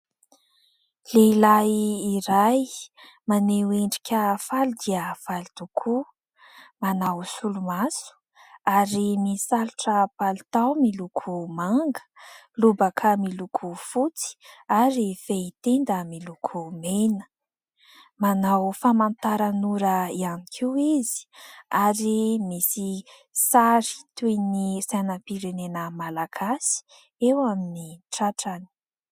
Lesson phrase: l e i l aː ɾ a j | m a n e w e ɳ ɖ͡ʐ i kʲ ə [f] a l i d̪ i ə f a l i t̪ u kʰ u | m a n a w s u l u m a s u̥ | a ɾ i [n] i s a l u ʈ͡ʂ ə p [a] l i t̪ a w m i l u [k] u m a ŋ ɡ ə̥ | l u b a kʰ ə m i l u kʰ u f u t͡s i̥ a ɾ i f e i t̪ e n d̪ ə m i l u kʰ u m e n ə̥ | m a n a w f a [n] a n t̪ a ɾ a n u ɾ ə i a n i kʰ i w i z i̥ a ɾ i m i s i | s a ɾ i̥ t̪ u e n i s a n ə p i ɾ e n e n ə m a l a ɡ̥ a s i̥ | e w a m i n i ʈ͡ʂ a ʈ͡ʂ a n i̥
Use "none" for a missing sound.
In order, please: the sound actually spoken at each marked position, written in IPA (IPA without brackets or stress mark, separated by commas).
f, m, a, kʰ, m